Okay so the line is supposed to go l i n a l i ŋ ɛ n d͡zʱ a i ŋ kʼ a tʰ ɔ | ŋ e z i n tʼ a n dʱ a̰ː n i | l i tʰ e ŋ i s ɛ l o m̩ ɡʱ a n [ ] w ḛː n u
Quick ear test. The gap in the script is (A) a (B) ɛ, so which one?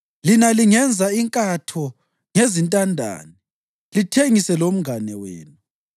B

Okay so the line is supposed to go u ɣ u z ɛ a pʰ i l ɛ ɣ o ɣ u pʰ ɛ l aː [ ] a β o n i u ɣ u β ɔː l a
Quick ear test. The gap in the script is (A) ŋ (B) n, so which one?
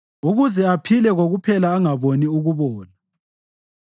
A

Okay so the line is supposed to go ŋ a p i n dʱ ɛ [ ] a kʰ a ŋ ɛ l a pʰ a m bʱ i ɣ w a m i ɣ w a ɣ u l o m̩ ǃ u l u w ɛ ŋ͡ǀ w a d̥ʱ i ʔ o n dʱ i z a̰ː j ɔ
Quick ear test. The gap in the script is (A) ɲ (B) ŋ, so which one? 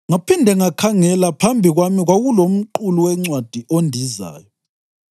B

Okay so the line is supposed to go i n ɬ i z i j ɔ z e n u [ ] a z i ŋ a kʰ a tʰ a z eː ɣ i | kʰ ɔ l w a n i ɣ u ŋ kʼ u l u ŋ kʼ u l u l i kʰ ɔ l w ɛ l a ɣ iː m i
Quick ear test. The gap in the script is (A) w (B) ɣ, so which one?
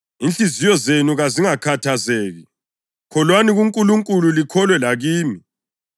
B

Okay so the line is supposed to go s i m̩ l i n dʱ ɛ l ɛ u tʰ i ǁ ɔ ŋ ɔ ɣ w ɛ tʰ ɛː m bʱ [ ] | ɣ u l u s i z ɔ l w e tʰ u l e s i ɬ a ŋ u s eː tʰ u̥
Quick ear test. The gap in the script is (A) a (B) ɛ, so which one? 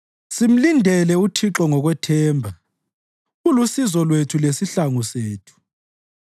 A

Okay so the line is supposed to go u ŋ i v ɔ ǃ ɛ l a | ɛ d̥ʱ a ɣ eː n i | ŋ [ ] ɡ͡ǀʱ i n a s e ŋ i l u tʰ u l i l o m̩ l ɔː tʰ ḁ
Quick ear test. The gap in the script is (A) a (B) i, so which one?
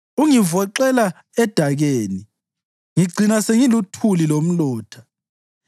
B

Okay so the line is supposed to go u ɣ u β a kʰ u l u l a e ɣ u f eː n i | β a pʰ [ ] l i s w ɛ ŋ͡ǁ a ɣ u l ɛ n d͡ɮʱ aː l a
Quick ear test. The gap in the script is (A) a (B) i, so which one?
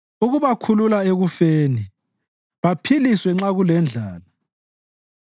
B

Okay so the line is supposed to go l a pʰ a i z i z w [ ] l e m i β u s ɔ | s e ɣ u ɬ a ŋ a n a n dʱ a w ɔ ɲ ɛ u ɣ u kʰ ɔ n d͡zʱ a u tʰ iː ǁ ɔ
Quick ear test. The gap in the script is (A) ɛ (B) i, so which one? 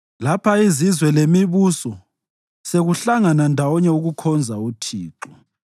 A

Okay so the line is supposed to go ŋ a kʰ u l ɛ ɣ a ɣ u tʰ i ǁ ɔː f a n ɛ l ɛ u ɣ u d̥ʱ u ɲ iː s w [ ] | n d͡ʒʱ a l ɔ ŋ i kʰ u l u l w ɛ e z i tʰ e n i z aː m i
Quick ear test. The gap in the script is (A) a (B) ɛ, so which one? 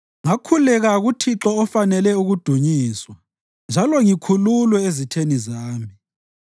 A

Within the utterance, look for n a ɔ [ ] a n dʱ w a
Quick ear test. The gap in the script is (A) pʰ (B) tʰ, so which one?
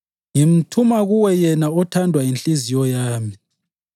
B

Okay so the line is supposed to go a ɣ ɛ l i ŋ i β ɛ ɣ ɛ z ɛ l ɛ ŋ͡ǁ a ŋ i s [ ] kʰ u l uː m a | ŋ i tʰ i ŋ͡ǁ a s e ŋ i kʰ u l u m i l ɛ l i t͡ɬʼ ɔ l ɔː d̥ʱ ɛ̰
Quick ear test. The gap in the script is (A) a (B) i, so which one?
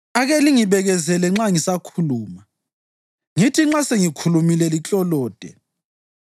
A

